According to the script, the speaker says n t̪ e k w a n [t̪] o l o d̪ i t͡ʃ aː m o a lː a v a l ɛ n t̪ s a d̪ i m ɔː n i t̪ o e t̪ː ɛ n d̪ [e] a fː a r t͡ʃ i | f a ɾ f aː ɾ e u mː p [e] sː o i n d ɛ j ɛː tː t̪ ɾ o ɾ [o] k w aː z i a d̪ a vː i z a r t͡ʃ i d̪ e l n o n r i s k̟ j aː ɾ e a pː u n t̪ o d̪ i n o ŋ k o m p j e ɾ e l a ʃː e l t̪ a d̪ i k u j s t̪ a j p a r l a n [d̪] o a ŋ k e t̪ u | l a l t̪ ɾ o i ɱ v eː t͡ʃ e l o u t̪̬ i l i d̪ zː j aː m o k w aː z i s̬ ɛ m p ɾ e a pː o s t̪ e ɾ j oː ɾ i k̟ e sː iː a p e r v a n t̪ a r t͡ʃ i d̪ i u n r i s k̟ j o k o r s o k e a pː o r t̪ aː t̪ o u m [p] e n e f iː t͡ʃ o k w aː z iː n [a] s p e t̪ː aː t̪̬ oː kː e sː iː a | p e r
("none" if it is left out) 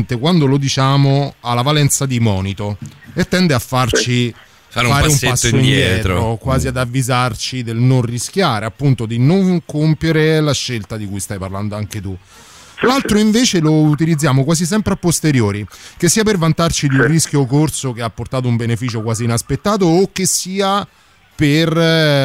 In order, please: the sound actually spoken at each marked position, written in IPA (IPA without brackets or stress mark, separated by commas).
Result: d̪, e, a, o, d̪, b, a